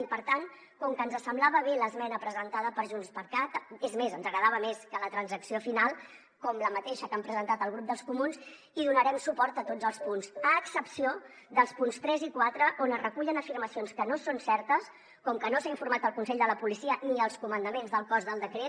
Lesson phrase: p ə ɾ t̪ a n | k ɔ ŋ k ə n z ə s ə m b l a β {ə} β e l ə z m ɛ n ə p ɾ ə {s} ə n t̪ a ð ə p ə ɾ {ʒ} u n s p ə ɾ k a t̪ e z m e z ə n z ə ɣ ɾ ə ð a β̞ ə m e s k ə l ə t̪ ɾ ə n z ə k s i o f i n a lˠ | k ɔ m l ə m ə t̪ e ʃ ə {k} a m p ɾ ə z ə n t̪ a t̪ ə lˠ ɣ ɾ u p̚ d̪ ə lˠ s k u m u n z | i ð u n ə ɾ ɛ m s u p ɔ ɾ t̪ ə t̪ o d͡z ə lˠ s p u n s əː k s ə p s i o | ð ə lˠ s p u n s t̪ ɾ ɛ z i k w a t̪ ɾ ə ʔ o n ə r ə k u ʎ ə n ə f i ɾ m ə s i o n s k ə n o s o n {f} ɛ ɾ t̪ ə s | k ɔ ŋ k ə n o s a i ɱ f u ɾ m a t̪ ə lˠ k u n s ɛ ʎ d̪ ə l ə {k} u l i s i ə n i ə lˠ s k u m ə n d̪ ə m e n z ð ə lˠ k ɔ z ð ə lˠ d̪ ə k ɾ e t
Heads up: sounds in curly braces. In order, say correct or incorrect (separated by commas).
correct, incorrect, correct, correct, incorrect, incorrect